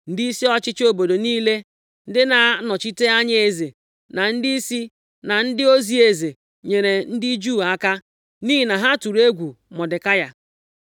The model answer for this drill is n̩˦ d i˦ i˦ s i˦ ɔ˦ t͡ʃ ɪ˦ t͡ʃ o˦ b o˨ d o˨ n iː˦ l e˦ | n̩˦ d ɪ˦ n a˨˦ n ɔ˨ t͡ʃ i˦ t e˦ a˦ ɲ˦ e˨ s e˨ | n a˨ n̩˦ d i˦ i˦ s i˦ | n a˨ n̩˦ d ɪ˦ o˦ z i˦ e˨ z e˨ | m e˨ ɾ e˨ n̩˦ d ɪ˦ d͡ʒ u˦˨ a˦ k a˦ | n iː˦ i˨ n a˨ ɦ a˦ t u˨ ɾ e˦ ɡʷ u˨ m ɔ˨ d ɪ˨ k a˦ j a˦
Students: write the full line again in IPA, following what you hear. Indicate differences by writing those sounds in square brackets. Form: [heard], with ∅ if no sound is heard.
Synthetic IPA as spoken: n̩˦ d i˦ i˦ s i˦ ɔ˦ t͡ʃ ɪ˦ t͡ʃ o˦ b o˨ d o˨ n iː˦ l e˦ | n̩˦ d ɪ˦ n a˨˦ n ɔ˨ t͡ʃ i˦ t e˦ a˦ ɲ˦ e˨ [z] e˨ | n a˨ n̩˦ d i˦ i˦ s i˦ | n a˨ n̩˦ d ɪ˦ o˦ z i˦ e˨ z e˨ | [ɲ] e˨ ɾ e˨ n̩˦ d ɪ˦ d͡ʒ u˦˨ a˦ k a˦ | n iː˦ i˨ n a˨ ɦ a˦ t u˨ ɾ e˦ ɡʷ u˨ m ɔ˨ d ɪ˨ k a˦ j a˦